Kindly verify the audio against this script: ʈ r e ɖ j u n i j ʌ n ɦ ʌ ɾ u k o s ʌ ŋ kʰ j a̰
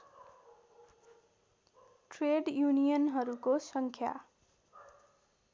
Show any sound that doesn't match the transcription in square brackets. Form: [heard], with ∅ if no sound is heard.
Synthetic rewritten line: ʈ r e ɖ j u n i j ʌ n ɦ ʌ ɾ u k o s ʌ ŋ kʰ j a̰